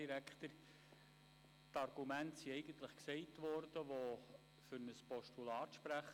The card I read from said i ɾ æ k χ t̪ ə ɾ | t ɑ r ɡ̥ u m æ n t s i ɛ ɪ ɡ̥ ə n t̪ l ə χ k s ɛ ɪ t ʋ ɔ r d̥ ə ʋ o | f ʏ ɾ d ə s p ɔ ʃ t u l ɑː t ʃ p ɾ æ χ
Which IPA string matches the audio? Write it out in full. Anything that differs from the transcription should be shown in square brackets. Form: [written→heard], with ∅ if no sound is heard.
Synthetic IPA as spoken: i ɾ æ k χ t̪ ə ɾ | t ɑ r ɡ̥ u m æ n t s i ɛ ɪ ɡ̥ ə n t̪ l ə χ k s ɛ ɪ t ʋ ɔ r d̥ ə ʋ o | f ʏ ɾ [d→n] ə s p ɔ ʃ t u l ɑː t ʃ p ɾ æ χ